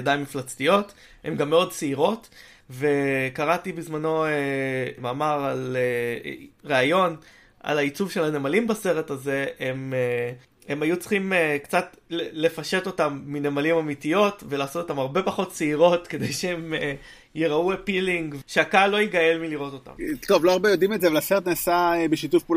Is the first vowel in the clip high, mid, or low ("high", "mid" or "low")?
low